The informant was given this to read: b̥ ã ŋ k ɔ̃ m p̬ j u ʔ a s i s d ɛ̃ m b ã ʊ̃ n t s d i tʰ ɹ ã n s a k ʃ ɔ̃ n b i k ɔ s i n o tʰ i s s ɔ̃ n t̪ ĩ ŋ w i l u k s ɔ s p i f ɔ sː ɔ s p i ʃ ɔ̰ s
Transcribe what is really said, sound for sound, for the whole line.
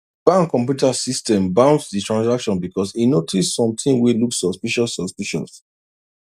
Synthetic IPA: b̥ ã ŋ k ɔ̃ m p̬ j u t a s i s t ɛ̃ m b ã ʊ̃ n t s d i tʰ ɹ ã n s a k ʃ ɔ̃ n b i k ɔ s i n o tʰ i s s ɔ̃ m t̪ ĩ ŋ w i l u k s ɔ s p i ʃ ɔ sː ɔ s p i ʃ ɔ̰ s